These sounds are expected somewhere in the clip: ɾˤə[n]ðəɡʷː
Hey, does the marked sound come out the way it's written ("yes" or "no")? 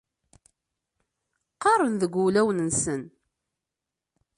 yes